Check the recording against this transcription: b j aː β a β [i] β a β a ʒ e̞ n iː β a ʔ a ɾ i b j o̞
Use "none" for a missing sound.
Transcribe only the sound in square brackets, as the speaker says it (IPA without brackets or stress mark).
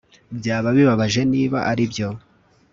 i